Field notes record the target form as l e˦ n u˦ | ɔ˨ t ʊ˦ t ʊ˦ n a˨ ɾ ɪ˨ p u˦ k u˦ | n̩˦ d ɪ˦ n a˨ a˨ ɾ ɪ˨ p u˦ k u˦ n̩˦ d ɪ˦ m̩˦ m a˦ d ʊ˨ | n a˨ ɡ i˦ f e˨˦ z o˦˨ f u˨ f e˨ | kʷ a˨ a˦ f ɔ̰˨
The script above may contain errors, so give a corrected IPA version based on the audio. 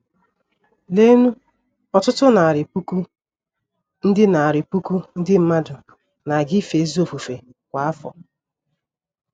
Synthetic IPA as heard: l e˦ n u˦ | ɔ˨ t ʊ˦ t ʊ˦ n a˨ ɾ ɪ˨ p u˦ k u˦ | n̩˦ d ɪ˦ n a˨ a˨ ɾ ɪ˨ p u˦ k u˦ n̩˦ d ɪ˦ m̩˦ m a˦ d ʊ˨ | n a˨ ɡ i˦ f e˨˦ z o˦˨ f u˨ f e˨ | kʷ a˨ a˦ f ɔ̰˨

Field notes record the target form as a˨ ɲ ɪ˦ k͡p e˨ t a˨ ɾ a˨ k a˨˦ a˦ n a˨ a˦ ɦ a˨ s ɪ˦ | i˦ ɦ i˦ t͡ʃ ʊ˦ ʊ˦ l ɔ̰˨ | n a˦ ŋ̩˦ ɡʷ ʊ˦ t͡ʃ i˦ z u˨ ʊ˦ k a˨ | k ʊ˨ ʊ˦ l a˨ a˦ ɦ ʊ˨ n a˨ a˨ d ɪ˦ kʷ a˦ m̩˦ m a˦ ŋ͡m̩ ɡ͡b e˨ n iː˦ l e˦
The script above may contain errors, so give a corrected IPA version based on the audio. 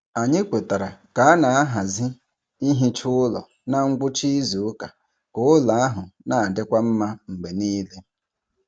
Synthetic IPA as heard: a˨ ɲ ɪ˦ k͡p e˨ t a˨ ɾ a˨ k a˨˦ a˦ n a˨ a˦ ɦ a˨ z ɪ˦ | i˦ ɦ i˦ t͡ʃ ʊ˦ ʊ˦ l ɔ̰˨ | n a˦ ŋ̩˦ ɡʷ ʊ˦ t͡ʃ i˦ z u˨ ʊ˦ k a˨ | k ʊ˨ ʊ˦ l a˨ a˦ ɦ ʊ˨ n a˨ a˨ d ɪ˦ kʷ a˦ m̩˦ m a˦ ŋ͡m̩ ɡ͡b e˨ n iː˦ l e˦

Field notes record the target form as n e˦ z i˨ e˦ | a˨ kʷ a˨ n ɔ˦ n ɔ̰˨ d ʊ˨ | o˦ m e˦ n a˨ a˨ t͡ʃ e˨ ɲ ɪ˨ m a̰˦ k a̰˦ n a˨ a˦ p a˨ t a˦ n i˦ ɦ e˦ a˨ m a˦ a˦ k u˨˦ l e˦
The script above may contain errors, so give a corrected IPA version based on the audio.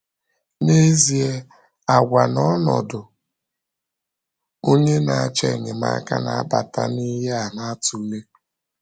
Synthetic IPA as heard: n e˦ z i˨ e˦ | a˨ ɡʷ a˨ n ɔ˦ n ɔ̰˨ d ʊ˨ | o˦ ɲ e˦ n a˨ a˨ t͡ʃ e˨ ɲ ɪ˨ m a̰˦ k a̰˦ n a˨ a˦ b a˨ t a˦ n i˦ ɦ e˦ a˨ n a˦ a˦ t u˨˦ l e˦

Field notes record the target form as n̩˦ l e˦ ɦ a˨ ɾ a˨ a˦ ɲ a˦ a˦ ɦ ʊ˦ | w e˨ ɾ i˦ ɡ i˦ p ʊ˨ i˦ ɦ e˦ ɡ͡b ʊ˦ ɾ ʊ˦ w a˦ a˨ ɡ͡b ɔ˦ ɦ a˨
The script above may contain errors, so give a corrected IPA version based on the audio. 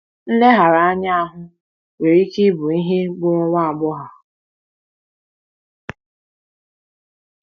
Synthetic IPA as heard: n̩˦ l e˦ ɦ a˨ ɾ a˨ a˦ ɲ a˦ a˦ ɦ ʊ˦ | w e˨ ɾ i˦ k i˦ b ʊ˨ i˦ ɦ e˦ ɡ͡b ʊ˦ ɾ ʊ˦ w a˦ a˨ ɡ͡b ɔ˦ ɦ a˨

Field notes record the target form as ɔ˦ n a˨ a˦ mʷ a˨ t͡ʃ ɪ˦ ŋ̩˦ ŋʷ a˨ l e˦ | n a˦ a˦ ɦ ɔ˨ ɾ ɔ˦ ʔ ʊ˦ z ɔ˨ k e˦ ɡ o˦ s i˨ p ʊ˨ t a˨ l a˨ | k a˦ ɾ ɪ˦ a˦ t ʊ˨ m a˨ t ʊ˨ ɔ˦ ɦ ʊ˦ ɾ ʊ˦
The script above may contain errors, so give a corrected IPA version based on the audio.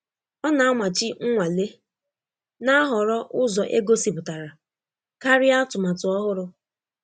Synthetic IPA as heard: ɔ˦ n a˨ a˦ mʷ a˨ t͡ʃ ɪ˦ ŋ̩˦ ŋʷ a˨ l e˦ | n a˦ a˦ ɦ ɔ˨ ɾ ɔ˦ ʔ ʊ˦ z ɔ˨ ʔ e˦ ɡ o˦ s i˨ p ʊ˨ t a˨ ɾ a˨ | k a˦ ɾ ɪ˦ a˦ t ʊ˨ m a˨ t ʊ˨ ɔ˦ ɦ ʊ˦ ɾ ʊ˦

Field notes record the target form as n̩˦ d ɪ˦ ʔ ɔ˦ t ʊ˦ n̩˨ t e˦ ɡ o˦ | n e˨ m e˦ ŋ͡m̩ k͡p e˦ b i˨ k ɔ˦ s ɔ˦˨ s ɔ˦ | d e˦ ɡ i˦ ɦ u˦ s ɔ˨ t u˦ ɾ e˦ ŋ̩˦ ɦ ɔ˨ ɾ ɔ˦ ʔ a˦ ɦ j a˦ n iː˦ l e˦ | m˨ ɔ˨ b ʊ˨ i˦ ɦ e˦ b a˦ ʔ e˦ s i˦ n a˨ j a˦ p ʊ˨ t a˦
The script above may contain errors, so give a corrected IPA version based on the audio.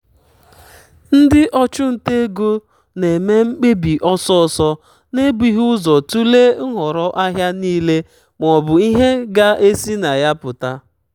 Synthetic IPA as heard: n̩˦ d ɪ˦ ʔ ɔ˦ t͡ʃ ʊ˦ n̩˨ t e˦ ɡ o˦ | n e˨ m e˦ ŋ͡m̩ k͡p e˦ b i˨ ʔ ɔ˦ s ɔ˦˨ s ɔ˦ | n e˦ b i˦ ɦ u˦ z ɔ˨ t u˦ l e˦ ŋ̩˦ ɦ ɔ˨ ɾ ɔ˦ ʔ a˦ ɦ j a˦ n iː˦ l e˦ | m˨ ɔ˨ b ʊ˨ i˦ ɦ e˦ ɡ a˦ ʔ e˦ s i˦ n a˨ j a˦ p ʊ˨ t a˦

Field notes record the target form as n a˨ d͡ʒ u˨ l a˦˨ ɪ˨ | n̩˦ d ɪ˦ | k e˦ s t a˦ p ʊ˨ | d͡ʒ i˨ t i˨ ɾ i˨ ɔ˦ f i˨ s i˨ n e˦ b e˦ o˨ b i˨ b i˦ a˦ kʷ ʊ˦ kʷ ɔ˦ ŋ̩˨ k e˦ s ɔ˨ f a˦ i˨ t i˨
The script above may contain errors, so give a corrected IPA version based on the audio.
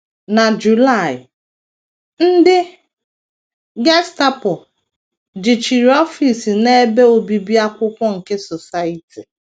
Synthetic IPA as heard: n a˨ d͡ʒ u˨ l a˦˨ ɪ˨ | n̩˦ d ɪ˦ | ɡ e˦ s t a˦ p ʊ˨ | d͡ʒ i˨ t͡ʃ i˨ ɾ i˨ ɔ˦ f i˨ s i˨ n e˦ b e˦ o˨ b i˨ b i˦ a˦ kʷ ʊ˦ kʷ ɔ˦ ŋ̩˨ k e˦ s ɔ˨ s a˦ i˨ t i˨

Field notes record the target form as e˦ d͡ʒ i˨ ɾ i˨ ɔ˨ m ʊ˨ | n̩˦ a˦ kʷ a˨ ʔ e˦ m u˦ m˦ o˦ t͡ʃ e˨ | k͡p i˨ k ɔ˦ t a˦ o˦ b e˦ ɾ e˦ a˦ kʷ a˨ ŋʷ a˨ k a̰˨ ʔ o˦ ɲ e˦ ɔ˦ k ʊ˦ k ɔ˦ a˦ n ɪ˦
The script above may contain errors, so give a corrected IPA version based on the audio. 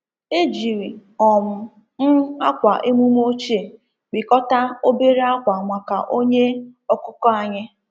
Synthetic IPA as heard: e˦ d͡ʒ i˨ ɾ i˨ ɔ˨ m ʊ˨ | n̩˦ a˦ kʷ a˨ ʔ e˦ m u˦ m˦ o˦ t͡ʃ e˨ | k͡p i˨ k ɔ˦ t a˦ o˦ b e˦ ɾ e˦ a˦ kʷ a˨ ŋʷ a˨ k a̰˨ ʔ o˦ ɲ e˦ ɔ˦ k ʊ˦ k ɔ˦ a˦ ɲ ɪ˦

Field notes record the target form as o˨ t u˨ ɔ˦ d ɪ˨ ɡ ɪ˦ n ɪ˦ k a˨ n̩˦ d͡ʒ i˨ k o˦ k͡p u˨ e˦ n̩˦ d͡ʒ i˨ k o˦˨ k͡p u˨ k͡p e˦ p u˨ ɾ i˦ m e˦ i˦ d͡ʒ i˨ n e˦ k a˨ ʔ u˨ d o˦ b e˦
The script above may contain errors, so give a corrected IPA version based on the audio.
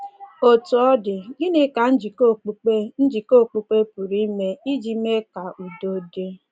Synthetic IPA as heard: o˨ t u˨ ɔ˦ d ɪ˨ ɡ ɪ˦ n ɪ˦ k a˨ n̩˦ d͡ʒ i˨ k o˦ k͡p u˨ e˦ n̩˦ d͡ʒ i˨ k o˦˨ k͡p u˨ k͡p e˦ p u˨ ɾ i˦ m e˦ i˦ d͡ʒ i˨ m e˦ k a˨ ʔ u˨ d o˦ d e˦

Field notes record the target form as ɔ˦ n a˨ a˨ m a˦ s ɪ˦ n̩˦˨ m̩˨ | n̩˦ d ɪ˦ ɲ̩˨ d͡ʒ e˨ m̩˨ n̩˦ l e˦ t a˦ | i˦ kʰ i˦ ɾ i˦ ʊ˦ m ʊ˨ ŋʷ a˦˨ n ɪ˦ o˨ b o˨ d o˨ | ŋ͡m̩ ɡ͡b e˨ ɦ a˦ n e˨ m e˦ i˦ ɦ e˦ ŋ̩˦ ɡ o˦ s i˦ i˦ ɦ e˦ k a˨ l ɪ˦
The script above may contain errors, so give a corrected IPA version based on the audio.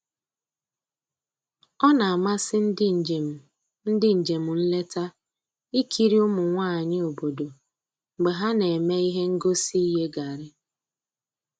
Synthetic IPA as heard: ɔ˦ n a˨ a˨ m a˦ s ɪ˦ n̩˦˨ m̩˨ | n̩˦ d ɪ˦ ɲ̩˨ d͡ʒ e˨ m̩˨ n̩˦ l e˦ t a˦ | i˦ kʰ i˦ ɾ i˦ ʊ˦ m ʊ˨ ŋʷ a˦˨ ɲ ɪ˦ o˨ b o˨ d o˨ | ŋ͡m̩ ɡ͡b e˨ ɦ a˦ n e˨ m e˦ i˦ ɦ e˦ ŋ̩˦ ɡ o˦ s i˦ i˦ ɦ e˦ ɡ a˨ ɾ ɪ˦

